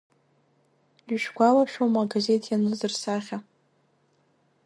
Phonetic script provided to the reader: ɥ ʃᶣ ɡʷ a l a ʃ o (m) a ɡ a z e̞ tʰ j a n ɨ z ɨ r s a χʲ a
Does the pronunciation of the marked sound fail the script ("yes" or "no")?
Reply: no